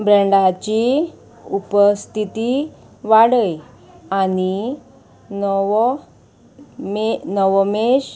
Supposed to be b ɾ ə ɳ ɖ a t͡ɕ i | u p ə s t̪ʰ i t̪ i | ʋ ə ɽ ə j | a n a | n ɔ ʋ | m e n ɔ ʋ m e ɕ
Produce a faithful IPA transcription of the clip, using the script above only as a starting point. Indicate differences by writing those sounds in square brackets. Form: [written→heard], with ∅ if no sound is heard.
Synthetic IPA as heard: b ɾ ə ɳ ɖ a t͡ɕ i | u p ə s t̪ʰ i t̪ i | ʋ [ə→a] ɽ ə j | a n [a→i] | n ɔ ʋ | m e n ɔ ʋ m e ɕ